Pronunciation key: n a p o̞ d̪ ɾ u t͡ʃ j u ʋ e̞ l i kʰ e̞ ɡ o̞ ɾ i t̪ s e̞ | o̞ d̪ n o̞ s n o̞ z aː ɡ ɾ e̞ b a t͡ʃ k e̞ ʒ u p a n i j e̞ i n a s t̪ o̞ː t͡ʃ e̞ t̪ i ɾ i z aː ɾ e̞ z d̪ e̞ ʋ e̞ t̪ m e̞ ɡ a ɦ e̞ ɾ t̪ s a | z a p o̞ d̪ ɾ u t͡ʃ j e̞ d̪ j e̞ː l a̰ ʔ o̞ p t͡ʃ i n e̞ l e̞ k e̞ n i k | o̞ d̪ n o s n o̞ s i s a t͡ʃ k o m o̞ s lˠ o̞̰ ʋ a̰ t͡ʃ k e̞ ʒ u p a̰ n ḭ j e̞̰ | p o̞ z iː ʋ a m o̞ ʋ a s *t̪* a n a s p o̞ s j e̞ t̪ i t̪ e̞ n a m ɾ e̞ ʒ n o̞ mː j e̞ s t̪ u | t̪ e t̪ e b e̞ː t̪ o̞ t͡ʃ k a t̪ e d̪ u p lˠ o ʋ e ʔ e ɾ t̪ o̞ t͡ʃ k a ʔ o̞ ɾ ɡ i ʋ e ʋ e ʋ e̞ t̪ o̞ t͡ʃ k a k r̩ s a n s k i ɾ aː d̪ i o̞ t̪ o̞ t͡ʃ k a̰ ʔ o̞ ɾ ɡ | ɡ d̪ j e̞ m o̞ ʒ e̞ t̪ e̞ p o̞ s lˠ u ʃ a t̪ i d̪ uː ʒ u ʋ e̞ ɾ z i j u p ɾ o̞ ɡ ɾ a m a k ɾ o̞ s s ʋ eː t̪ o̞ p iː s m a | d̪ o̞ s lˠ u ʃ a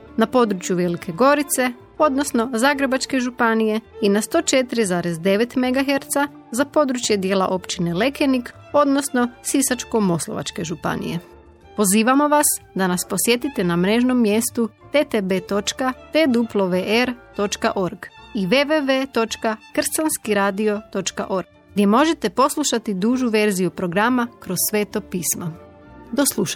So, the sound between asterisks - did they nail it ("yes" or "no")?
no